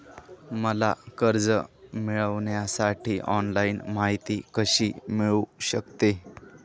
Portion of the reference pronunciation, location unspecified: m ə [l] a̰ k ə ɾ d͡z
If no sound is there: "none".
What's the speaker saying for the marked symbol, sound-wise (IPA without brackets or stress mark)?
l